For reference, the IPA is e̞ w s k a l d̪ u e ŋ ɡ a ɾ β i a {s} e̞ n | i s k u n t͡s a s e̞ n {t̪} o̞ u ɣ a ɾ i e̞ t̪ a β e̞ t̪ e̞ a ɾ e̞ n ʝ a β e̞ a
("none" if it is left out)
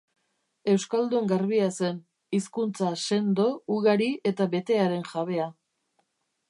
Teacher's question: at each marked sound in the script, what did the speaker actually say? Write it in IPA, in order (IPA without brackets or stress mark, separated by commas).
s, d̪